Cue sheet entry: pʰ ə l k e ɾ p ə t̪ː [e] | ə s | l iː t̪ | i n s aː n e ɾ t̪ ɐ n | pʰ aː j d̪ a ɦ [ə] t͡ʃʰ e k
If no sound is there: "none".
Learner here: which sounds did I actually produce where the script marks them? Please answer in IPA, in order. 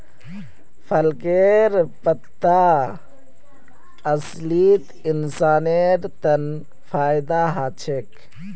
a, a

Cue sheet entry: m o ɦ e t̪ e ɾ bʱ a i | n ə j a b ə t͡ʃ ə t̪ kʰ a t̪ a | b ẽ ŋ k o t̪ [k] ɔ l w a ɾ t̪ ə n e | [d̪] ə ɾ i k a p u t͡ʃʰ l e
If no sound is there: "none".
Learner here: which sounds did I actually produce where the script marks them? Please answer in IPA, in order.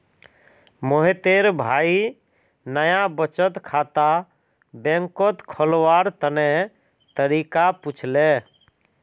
kʰ, t̪

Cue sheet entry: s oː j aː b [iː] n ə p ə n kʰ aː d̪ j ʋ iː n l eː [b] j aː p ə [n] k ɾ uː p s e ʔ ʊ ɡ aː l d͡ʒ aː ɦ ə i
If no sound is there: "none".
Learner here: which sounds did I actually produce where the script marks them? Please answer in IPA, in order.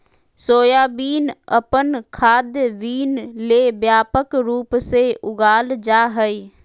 iː, b, none

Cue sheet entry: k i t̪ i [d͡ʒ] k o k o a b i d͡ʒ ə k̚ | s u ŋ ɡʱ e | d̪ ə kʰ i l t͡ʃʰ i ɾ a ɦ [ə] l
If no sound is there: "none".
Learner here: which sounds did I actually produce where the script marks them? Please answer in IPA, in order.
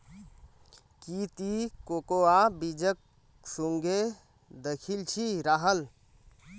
none, ə

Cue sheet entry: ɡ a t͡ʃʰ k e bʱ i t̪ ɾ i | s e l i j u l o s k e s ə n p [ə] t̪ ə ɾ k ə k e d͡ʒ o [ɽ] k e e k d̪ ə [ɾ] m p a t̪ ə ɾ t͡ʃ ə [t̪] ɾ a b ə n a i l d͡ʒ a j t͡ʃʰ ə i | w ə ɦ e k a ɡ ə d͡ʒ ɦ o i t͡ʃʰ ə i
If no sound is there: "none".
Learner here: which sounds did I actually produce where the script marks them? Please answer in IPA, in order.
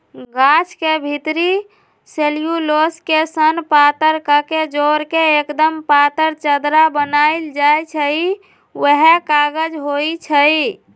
a, ɾ, none, d̪

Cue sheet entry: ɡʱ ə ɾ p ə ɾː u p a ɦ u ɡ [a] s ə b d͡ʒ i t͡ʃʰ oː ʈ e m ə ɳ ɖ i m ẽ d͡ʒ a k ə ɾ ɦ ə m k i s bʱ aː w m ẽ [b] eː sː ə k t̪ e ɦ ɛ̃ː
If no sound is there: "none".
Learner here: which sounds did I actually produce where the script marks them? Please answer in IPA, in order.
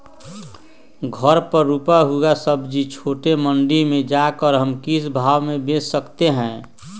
a, b

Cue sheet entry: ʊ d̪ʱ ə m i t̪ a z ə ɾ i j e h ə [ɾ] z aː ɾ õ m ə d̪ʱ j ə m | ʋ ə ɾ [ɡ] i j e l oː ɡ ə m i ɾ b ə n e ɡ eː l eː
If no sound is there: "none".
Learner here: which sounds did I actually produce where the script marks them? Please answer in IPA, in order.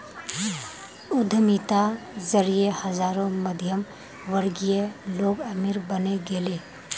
none, ɡ

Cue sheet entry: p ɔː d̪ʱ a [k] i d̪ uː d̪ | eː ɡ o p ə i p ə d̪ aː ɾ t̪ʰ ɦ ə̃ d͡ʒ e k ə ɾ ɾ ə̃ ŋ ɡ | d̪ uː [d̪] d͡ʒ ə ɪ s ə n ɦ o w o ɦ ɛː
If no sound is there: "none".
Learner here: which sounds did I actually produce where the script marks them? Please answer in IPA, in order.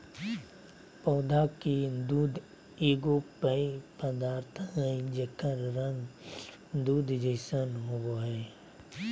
k, d̪

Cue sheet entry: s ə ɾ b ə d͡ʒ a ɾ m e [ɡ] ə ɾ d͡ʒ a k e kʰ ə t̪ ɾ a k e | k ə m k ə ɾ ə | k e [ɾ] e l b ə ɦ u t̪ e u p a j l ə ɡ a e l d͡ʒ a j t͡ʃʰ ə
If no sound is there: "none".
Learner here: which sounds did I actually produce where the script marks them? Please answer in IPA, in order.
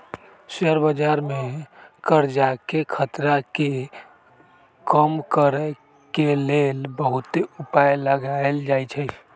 k, l

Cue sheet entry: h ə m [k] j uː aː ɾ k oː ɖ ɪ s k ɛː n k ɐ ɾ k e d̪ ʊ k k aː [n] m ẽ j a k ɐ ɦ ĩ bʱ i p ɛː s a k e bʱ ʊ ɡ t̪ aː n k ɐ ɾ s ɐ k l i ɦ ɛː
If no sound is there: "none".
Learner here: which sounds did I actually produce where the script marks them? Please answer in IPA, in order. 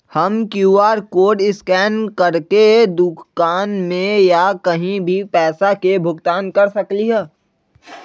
k, n

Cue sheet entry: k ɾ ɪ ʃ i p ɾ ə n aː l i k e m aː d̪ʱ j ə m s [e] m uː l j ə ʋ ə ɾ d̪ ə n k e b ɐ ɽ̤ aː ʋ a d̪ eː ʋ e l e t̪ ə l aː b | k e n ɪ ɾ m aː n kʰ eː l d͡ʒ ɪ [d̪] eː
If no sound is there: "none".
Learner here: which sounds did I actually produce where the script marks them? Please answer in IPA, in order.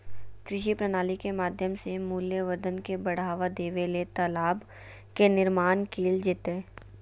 e, t̪

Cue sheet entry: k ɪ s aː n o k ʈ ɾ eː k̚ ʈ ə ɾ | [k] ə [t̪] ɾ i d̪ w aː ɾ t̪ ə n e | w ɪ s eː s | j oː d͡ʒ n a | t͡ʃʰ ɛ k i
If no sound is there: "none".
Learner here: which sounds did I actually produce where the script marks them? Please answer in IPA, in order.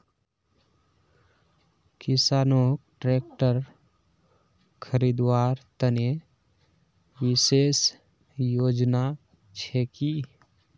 kʰ, none

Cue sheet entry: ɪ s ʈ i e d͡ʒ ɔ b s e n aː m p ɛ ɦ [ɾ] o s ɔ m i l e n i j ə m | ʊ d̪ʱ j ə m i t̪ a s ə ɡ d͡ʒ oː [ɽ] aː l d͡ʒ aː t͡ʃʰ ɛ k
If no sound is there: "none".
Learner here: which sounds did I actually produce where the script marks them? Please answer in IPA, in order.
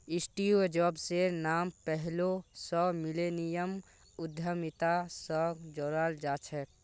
l, ɾ

